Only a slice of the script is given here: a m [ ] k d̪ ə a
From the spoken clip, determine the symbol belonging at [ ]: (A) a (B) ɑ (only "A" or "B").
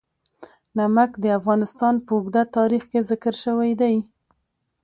A